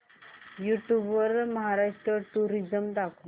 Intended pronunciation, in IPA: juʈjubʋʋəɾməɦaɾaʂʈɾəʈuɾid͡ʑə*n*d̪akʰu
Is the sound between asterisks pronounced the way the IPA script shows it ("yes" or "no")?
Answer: no